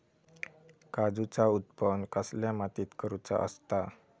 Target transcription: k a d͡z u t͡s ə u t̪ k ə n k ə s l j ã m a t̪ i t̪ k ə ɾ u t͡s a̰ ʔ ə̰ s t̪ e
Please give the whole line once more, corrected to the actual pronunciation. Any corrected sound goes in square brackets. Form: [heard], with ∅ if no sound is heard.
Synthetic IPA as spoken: k a d͡z u t͡s [a] u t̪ [p] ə n k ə s l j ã m a t̪ i t̪ k ə ɾ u t͡s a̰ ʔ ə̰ s t̪ [a]